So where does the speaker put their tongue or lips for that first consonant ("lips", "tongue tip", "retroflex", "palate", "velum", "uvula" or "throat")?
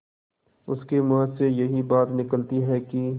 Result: tongue tip